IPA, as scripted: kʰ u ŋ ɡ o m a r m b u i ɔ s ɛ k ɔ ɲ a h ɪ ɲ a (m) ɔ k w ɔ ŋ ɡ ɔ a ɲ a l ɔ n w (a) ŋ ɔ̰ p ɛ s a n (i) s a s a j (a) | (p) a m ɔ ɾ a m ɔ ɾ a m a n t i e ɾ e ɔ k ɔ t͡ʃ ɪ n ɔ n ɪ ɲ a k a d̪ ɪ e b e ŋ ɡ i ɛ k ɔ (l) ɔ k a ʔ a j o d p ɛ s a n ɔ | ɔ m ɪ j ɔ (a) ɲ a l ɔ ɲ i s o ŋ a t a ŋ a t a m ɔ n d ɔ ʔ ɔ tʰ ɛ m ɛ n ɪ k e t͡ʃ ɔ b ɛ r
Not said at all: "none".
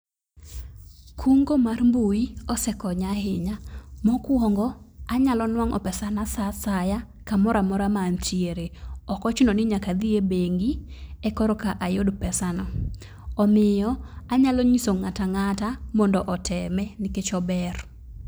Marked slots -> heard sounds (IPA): m, a, a, a, k, ɾ, a

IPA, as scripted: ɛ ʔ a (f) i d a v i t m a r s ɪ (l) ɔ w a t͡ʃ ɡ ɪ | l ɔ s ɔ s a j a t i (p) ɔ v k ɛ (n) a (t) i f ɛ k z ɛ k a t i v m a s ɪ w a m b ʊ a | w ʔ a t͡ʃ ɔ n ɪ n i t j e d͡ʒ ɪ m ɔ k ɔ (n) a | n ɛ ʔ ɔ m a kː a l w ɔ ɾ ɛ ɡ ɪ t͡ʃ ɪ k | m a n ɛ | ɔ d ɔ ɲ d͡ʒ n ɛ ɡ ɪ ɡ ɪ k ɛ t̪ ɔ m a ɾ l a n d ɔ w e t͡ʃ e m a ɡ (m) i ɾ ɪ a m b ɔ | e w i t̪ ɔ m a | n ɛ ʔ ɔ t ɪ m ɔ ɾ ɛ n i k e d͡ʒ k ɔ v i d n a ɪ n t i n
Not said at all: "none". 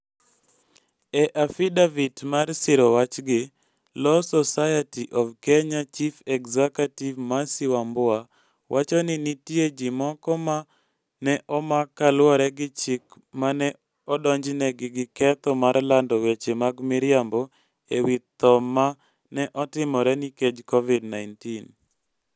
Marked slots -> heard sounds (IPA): f, ɾ, ʔ, ɲ, t͡ʃ, m, m

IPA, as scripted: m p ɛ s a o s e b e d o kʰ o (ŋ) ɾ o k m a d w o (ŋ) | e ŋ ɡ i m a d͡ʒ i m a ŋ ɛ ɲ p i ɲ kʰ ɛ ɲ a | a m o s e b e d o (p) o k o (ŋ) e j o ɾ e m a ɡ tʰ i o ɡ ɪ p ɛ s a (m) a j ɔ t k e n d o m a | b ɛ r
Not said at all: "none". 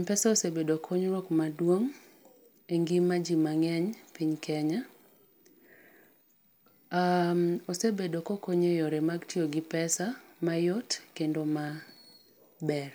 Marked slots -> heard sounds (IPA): ɲ, ŋ, k, ɲ, m

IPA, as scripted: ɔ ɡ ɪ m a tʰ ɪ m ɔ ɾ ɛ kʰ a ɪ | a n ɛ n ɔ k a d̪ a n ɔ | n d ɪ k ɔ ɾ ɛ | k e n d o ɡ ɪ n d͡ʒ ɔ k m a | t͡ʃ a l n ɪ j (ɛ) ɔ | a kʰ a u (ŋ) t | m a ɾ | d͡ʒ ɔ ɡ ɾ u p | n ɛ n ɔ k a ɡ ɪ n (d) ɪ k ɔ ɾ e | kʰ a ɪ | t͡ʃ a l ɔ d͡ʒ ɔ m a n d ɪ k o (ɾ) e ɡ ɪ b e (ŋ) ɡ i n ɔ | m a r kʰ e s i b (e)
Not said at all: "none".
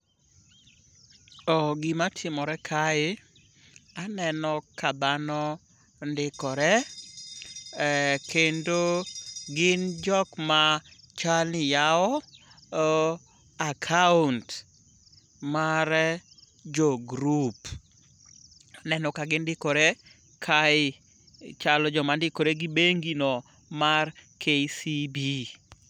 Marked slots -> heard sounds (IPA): a, n, d, ɾ, ŋ, i

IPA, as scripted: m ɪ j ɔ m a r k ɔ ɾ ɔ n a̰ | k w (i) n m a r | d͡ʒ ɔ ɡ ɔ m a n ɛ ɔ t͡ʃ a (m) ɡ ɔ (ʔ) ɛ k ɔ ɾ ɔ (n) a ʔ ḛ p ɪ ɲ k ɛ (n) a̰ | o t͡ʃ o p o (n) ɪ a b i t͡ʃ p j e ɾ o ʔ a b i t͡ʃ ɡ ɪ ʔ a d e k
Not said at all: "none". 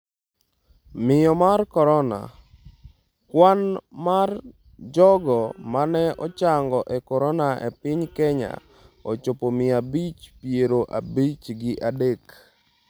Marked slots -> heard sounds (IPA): a, ŋ, ʔ, n, ɲ, m

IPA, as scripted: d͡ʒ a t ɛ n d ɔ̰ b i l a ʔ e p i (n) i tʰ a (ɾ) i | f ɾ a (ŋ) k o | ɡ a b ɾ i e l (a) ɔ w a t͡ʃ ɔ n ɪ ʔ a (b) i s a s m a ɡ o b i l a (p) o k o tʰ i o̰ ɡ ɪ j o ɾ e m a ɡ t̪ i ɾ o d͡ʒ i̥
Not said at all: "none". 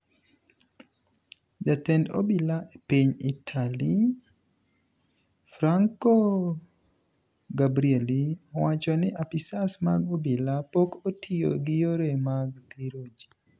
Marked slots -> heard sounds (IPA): ɲ, l, ŋ, i, p, p

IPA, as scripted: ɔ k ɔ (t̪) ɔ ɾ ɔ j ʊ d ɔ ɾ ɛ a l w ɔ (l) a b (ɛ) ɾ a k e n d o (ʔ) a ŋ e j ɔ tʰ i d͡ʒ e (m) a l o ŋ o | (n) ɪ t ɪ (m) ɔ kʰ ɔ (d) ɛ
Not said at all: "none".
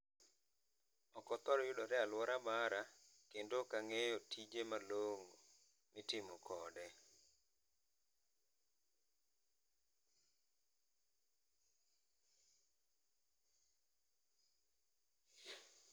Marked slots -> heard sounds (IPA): t̪, ɾ, a, k, m, m, m, d

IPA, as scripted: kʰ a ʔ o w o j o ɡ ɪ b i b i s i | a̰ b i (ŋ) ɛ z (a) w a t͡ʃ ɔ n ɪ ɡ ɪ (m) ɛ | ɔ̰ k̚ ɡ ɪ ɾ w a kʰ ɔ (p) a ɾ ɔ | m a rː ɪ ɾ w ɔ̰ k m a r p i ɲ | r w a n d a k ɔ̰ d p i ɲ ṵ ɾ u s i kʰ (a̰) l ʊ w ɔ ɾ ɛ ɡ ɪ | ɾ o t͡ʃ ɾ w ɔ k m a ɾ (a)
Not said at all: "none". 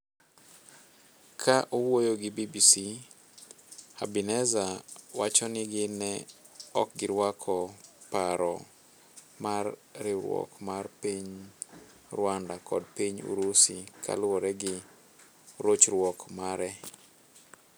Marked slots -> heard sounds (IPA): n, a, n, p, a̰, ɛ

